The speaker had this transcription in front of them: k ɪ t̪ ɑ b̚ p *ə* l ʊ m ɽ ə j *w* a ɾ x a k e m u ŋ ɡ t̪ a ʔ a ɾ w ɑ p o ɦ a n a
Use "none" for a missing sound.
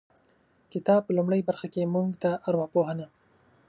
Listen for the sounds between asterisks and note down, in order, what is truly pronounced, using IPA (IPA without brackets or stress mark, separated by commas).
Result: ə, b